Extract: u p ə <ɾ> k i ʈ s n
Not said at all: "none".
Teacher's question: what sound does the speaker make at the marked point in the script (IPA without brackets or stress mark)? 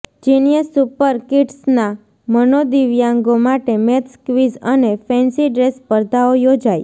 ɾ